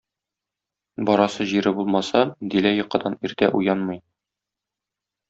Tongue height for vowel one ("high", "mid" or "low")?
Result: low